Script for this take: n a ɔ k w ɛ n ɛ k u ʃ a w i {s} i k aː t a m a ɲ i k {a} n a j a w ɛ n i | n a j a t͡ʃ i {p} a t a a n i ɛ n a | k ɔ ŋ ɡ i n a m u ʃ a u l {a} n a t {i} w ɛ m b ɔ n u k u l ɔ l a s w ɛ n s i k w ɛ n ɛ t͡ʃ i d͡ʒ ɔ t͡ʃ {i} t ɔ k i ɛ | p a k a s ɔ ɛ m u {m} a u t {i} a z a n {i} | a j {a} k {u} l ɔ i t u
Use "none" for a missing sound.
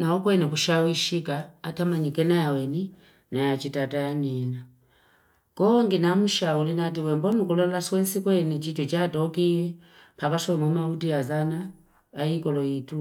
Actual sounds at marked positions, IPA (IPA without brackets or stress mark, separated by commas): ʃ, ɛ, t, i, i, a, m, i, a, i, ɔ